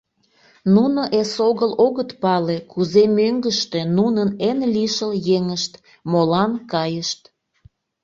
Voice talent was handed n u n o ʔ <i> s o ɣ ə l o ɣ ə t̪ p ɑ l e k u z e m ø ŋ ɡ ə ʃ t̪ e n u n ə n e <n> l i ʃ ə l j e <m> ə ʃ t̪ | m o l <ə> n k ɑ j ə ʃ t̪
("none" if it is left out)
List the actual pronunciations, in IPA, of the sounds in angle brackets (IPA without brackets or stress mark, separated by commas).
e, n, ŋ, ɑ